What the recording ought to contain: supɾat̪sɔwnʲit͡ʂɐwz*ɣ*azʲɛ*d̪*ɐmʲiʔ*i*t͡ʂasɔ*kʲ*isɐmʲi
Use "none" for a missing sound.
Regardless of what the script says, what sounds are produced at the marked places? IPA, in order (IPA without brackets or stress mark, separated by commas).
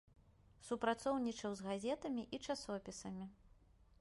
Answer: ɣ, t̪, i, pʲ